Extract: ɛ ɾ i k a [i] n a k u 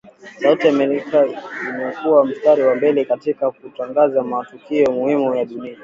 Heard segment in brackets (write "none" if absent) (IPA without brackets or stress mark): i